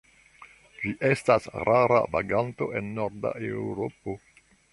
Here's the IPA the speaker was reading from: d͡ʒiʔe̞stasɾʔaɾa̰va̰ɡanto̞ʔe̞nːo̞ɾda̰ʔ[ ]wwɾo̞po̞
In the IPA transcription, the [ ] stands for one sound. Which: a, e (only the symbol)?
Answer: e